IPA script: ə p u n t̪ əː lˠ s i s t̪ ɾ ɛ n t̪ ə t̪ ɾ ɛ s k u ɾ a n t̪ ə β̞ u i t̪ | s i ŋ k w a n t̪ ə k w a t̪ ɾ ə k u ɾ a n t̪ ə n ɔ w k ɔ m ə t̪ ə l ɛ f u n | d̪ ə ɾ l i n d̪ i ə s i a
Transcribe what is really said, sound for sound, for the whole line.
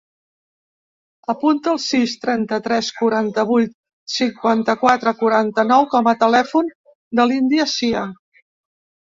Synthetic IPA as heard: ə p u n t̪ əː lˠ s i s t̪ ɾ ɛ n t̪ ə t̪ ɾ ɛ s k u ɾ a n t̪ ə β̞ u j t̪ | s i ŋ k w a n t̪ ə k w a t̪ ɾ ə k u ɾ a n t̪ ə n ɔ w k ɔ m ə t̪ ə l ɛ f u n | d̪ ə l i n d̪ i ə s i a